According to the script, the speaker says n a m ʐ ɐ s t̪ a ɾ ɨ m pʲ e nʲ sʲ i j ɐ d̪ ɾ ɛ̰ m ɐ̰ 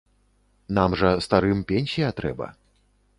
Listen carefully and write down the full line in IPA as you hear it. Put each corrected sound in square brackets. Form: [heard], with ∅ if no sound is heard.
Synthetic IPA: n a m ʐ ɐ s t̪ a ɾ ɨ m pʲ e nʲ sʲ i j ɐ [t̪] ɾ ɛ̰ [b] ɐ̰